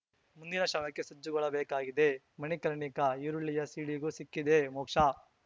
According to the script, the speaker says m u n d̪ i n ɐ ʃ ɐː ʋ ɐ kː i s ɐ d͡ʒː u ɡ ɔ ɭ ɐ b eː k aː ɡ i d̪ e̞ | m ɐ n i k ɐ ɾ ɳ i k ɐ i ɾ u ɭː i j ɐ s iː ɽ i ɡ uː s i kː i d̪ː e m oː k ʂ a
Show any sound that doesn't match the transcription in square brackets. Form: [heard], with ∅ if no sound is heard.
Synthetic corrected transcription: m u n d̪ i n ɐ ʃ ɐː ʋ ɐ kː [e] s ɐ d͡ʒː u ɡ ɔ ɭ ɐ b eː k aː ɡ i d̪ e̞ | m ɐ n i k ɐ ɾ ɳ i k ɐ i ɾ u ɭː i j ɐ s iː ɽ i ɡ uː s i kː i [d̪] e m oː k ʂ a